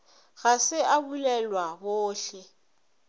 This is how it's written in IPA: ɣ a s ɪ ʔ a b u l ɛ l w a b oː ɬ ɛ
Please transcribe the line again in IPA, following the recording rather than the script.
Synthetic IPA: ɣ a s ɪ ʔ a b u l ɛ l w a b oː ɬ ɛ